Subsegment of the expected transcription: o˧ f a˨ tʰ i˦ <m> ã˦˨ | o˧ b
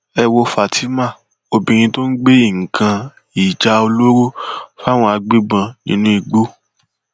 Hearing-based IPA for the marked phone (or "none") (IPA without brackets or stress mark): m